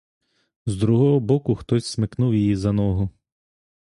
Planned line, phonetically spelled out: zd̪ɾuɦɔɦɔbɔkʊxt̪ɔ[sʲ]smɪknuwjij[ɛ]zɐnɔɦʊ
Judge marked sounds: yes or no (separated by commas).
yes, no